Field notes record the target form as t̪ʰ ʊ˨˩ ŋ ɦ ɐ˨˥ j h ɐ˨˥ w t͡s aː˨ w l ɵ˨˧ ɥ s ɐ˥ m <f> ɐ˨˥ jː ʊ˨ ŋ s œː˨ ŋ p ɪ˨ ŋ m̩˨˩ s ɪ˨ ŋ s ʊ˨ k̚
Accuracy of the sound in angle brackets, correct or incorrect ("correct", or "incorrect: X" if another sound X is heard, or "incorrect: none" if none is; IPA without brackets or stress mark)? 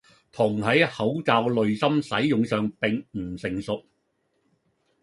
incorrect: s